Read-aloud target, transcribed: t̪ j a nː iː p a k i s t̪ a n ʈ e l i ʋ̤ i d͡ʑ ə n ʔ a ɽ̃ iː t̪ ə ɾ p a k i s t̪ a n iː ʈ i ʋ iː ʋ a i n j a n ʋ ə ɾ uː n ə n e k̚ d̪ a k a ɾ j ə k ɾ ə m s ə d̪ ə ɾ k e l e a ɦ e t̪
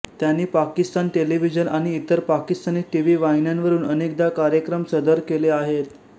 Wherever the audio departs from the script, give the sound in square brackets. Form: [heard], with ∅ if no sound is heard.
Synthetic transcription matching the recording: t̪ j a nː iː p a k i s t̪ a n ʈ e l i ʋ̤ i d͡ʑ ə n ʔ a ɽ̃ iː t̪ ə ɾ p a k i s t̪ a n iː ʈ i ʋ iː ʋ a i n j a n ʋ ə ɾ uː n ə n e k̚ d̪ a k a ɾ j ə k ɾ ə m s ə d̪ ə ɾ k e l e a ɦ e t̪

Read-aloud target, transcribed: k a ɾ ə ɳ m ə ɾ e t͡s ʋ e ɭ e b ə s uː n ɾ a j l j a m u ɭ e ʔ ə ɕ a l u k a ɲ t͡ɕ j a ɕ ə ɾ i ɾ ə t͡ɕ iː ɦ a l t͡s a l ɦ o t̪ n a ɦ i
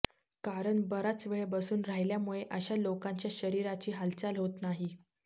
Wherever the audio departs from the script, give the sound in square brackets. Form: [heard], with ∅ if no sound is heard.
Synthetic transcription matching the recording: k a ɾ ə ɳ [b] ə ɾ [a] t͡s ʋ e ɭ e b ə s uː n ɾ a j l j a m u ɭ e ʔ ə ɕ a l [o] k a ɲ t͡ɕ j a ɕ ə ɾ i ɾ [a] t͡ɕ iː ɦ a l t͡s a l ɦ o t̪ n a ɦ i

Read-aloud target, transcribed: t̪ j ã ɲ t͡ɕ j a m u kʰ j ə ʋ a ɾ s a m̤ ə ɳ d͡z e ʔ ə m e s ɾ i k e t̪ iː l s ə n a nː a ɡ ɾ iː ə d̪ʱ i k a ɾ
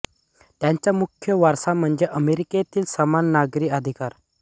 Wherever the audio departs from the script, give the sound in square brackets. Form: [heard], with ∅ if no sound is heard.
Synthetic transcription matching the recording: t̪ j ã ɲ t͡ɕ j a m u kʰ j ə ʋ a ɾ s a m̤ ə ɳ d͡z e ʔ ə m e [∅] ɾ i k e t̪ iː l s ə [m] a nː a ɡ ɾ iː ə d̪ʱ i k a ɾ

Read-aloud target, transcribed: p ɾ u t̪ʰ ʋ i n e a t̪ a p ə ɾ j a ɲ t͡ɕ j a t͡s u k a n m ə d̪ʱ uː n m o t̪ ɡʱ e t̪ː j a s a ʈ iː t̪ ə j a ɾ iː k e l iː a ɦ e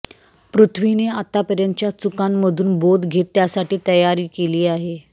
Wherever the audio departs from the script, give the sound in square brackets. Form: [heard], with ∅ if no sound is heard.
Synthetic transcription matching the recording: p ɾ u t̪ʰ ʋ i n e a t̪ a p ə ɾ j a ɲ t͡ɕ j a t͡s u k a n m ə d̪ʱ uː n [b] o [d̪] ɡʱ e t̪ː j a s a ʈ iː t̪ ə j a ɾ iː k e l iː a ɦ e

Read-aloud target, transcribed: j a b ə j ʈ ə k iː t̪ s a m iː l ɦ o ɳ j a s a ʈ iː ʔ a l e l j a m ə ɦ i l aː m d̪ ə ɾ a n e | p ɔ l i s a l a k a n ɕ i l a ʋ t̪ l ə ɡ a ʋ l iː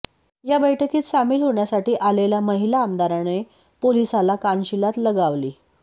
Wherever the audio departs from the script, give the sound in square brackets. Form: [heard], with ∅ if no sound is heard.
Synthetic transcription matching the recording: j a b ə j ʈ ə k iː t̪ s a m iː l ɦ o ɳ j a s a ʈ iː ʔ a l e l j a m ə ɦ i l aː m d̪ [a] ɾ a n e | p [o] l i s a l a k a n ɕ i l a [∅] t̪ l ə ɡ a ʋ l iː

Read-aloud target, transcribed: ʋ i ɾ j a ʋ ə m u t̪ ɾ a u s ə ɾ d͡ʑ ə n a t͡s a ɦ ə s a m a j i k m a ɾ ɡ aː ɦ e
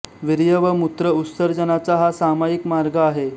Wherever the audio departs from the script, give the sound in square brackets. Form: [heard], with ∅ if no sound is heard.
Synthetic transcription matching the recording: ʋ i ɾ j [ə] ʋ ə m u t̪ ɾ [ə] u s ə ɾ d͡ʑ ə n a t͡s a ɦ [a] s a m a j i k m a ɾ ɡ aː ɦ e

